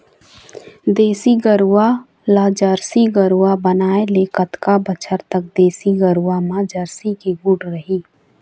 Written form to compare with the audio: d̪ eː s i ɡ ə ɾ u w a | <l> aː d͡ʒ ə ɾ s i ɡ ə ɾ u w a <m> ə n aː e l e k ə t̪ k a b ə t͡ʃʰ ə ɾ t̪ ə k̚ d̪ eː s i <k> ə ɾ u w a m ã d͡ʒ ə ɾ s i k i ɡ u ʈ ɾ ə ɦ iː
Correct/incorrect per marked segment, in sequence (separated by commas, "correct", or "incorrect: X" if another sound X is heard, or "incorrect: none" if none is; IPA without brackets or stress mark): correct, incorrect: b, incorrect: ɡ